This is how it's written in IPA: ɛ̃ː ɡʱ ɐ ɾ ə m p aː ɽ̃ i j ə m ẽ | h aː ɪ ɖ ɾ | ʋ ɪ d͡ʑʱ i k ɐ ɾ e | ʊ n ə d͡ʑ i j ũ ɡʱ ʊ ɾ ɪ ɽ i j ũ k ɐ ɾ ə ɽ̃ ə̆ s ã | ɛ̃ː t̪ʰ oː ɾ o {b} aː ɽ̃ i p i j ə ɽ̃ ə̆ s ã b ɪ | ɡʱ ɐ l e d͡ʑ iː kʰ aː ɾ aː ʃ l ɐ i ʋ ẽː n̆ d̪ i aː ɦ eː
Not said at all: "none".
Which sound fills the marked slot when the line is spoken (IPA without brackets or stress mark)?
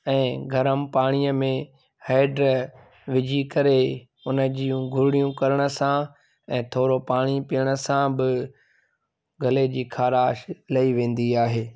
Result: p